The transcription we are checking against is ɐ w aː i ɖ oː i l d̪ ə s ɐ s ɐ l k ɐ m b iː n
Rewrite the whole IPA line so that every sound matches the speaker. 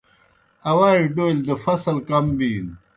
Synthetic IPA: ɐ w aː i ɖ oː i l d̪ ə f ɐ s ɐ l k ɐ m b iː n